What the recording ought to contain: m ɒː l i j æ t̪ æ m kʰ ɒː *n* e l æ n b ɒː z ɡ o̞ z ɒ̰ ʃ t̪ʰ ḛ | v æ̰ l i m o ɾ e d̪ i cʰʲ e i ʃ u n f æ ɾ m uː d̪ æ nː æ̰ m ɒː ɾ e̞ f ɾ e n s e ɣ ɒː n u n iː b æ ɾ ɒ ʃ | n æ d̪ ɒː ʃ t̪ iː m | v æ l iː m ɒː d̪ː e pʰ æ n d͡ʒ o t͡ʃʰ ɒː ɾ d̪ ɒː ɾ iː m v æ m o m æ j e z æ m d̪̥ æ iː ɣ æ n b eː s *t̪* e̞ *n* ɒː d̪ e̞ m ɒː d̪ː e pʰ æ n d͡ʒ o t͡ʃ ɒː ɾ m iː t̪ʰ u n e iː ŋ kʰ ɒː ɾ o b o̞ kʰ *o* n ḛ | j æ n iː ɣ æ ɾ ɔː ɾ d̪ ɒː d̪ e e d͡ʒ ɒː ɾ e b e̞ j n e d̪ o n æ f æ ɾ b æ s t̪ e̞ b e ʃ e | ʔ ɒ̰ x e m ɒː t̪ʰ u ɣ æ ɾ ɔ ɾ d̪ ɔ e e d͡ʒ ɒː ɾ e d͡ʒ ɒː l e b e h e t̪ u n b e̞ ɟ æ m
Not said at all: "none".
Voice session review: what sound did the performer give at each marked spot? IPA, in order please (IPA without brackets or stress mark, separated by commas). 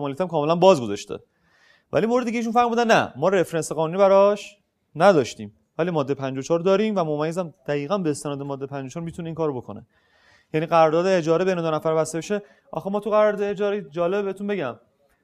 m, t̪, n, o